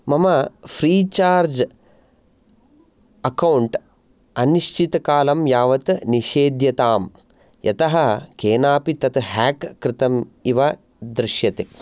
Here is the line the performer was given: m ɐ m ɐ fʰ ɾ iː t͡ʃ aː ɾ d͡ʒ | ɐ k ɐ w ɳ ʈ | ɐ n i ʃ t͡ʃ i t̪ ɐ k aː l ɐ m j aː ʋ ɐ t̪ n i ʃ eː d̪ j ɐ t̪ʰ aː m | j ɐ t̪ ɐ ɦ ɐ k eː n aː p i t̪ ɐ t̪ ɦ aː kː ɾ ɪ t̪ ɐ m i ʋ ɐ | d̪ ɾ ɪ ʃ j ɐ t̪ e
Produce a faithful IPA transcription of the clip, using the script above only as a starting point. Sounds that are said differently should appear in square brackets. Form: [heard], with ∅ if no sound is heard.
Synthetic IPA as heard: m ɐ m ɐ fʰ ɾ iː t͡ʃ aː ɾ d͡ʒ | ɐ k ɐ w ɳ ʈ | ɐ n i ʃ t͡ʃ i t̪ ɐ k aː l ɐ m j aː ʋ ɐ t̪ n i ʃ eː d̪ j ɐ [t̪] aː m | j ɐ t̪ ɐ ɦ ɐ k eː n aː p i t̪ ɐ t̪ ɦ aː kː ɾ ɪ t̪ ɐ m i ʋ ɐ | d̪ ɾ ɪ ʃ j ɐ t̪ e